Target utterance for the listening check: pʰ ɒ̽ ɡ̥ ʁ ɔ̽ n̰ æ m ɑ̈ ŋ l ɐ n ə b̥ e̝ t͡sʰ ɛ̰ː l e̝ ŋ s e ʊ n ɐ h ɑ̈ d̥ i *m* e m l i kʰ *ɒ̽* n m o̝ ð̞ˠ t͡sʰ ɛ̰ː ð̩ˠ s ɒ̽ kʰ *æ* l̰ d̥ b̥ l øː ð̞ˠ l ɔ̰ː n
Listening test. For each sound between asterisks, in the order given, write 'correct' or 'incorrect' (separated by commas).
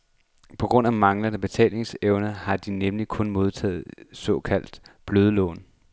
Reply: incorrect, incorrect, correct